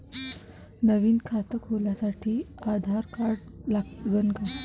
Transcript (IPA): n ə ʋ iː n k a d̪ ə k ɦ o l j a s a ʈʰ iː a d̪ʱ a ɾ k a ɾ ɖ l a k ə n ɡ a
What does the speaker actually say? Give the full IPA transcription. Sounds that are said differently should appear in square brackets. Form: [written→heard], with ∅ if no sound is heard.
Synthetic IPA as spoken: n ə ʋ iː n [k→kʰ] a [d̪→t̪] ə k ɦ o l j a s a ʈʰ iː a d̪ʱ a ɾ k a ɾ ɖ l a [k→ɡ] ə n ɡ a